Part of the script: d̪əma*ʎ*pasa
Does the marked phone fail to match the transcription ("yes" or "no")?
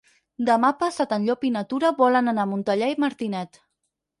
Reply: yes